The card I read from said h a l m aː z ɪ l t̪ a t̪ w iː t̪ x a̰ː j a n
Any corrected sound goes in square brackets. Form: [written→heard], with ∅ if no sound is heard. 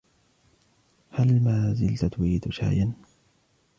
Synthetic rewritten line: h a l m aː z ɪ l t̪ a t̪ w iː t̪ [x→ʃ] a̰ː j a n